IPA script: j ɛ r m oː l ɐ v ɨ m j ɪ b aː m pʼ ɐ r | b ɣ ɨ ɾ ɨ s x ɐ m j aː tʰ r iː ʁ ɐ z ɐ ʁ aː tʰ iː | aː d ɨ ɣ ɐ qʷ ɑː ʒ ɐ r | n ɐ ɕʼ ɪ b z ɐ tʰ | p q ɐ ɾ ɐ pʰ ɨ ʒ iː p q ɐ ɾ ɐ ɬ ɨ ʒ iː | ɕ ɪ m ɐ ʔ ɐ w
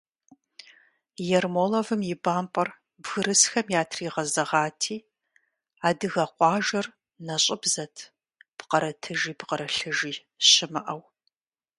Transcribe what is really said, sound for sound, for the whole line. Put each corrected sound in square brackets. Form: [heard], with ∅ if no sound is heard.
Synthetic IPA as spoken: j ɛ r m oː l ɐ v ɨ m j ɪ b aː m pʼ ɐ r | b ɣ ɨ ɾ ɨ s x ɐ m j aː tʰ r iː ʁ ɐ z ɐ ʁ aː tʰ iː | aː d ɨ ɣ ɐ qʷ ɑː ʒ ɐ r | n ɐ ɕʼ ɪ b z ɐ tʰ | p q ɐ ɾ ɐ [tʰ] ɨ ʒ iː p q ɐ ɾ ɐ ɬ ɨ ʒ iː | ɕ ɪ m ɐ ʔ ɐ w